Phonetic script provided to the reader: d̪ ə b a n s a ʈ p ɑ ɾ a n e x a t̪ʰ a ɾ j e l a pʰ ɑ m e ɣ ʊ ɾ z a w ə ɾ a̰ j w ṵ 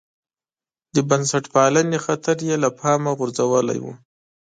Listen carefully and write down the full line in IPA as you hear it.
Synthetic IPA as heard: d̪ ə b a n s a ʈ p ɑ l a n e x a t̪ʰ a ɾ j e l a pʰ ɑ m a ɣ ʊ ɾ z a w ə l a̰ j w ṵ